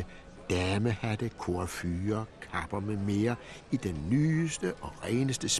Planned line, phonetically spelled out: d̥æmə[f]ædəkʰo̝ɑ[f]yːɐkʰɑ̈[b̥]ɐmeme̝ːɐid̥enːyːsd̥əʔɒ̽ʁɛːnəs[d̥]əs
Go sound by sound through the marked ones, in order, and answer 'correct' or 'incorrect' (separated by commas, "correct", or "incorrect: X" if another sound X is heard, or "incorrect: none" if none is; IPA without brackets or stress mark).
incorrect: h, correct, correct, correct